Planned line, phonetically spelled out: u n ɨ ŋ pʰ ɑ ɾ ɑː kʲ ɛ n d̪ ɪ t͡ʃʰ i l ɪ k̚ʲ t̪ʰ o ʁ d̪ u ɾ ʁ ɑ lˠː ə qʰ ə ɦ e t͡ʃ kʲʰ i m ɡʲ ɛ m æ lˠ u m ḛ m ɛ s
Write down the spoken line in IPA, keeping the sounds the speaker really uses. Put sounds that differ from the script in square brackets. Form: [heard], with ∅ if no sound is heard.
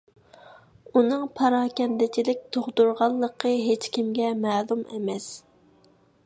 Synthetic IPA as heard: u n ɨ ŋ pʰ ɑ ɾ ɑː kʲ ɛ n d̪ ɪ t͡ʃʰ i l ɪ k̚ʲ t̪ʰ o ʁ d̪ u ɾ ʁ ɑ lˠː ə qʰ ə ɦ e t͡ʃ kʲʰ i m ɡʲ ɛ m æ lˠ u m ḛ m ɛ s